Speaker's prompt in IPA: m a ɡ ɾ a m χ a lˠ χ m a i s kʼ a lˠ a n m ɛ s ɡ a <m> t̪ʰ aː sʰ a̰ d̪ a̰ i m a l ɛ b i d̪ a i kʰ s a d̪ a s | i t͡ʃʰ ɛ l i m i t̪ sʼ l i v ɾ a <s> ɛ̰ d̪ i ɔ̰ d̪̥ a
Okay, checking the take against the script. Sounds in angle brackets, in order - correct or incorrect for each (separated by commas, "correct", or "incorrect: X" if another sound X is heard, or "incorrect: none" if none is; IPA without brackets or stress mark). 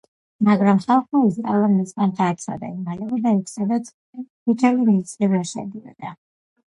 incorrect: n, incorrect: ʃ